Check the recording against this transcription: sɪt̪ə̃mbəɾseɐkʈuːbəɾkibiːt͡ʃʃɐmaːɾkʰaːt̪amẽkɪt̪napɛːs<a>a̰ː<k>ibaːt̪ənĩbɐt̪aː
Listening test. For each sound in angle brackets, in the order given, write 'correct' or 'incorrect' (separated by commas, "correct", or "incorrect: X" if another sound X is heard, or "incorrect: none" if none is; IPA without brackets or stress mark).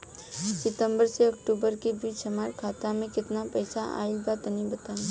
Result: correct, incorrect: none